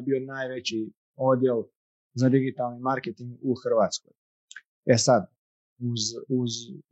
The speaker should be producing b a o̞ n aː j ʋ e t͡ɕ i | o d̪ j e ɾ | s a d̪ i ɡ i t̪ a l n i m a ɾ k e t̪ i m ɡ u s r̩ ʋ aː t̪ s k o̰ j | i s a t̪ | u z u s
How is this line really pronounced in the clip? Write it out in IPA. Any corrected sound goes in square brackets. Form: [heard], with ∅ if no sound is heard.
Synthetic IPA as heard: b [i] o̞ n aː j ʋ e t͡ɕ i | o d̪ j e [l] | [z] a d̪ i ɡ i t̪ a l n i m a ɾ k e t̪ i [ŋ] ɡ u [x] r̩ ʋ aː t̪ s k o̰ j | [e] s a [d̪] | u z u [z]